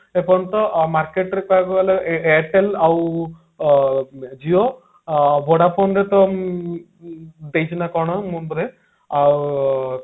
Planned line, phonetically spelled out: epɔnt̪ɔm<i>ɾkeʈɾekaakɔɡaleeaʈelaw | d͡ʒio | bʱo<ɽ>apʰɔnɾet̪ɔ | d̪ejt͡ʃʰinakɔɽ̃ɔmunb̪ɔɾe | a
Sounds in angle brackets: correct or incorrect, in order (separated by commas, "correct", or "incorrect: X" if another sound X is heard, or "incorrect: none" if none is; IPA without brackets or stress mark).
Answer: incorrect: a, correct